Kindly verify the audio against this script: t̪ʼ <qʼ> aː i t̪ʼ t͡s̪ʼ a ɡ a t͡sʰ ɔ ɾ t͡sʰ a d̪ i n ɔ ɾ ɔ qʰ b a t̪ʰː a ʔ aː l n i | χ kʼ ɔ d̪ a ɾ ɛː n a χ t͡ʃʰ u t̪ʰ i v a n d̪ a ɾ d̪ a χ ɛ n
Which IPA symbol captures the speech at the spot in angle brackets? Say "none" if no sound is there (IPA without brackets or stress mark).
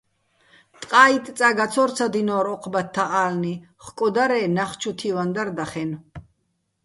qʼ